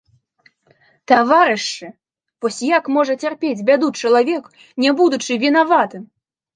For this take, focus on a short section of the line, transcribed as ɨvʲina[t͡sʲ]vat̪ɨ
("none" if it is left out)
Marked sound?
none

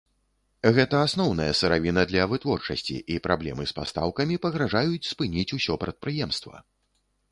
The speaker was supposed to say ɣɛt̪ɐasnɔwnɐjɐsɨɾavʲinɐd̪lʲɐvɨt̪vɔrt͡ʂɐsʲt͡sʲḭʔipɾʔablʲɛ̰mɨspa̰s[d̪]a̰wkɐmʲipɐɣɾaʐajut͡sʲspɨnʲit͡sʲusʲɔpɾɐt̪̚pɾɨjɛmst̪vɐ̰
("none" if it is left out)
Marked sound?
t̪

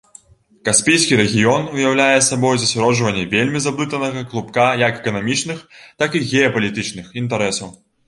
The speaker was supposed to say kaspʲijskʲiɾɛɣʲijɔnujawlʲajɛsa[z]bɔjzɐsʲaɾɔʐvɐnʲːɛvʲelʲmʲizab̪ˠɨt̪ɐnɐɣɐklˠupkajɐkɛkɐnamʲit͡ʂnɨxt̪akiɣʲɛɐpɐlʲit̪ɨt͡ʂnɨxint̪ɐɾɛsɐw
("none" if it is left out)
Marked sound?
none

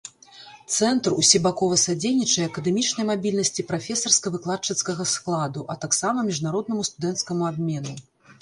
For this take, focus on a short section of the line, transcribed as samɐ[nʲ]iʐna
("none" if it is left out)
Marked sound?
mʲ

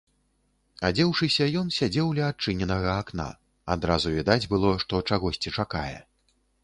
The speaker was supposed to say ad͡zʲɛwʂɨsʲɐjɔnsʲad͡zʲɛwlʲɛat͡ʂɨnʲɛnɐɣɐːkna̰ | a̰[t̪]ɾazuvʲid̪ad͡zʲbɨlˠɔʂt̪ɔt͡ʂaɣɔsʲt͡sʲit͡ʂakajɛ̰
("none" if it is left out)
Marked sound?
d̪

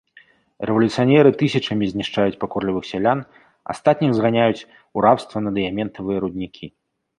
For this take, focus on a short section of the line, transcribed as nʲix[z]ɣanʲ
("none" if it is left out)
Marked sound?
z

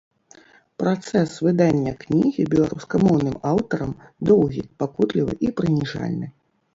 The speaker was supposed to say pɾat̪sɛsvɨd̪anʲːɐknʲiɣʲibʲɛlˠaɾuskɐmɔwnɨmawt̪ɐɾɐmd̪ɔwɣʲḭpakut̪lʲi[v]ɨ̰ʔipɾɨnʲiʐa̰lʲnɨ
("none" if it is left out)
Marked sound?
v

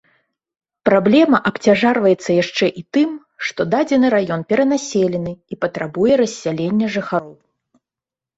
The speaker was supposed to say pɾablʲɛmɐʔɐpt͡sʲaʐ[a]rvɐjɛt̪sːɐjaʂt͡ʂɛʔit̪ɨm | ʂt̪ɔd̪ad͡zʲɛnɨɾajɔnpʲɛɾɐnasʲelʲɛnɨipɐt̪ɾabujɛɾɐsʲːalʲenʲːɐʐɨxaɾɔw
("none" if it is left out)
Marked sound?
a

